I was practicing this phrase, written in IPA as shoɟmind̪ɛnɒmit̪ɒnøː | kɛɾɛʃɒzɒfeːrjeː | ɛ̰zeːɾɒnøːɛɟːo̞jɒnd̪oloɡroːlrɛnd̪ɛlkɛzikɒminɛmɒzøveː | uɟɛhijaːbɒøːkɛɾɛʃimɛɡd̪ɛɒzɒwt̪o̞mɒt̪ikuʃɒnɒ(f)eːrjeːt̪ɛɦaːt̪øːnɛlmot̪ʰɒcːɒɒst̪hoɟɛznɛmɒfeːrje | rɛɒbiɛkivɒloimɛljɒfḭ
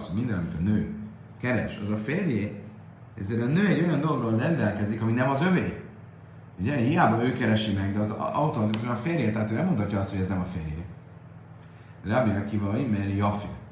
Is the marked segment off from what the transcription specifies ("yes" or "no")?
no